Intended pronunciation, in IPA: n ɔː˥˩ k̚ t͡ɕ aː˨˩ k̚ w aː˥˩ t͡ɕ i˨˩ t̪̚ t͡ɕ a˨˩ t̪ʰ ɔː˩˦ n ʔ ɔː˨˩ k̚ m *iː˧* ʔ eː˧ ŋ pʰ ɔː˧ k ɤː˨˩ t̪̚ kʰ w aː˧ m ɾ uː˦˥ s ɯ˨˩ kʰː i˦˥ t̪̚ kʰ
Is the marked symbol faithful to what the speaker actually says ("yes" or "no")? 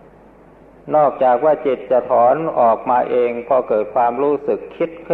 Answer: no